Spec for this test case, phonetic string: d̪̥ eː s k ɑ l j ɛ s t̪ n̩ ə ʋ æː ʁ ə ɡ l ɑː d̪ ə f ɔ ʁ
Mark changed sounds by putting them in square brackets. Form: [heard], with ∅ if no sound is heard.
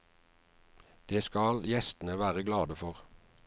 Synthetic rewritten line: d̪̥ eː s k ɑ l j ɛ s t̪ n̩ ə ʋ æː ʁ ə ɡ l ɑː d̪ ə f ɔ ʁ